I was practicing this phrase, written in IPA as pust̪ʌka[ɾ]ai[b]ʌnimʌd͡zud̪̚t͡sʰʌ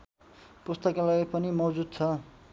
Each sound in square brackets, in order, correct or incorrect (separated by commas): incorrect, incorrect